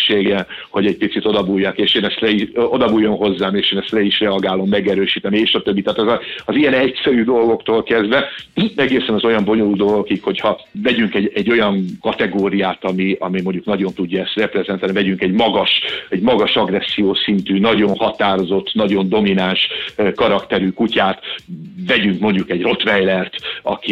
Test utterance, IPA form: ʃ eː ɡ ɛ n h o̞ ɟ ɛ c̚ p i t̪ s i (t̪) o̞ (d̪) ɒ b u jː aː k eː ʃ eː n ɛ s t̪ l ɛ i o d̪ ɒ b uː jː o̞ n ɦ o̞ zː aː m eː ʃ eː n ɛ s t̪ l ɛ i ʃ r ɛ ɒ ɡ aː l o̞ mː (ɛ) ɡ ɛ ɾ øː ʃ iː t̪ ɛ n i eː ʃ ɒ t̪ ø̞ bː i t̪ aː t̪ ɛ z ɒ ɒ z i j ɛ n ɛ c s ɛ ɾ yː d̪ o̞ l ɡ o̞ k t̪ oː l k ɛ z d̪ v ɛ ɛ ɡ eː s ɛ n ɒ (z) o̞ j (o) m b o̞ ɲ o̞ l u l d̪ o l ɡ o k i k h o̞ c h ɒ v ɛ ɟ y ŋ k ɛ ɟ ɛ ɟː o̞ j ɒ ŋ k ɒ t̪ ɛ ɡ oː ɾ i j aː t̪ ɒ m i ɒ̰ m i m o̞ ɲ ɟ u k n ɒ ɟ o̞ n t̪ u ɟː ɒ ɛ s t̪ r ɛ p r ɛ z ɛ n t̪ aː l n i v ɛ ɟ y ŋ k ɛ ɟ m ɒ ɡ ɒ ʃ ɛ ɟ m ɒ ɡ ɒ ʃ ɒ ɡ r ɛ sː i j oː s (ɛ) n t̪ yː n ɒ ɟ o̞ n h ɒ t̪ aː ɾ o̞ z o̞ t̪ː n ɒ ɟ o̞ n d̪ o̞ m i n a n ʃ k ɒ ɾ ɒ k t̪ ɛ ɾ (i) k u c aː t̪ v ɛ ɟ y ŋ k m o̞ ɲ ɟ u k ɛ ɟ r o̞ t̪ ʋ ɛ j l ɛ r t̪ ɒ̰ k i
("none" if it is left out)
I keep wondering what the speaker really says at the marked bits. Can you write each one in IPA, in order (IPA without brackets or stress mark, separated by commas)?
t̪, d̪, ɛ, z, ɒ, i, y